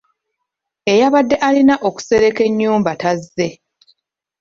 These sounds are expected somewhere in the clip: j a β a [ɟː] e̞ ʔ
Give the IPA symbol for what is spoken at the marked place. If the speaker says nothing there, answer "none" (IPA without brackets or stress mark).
dː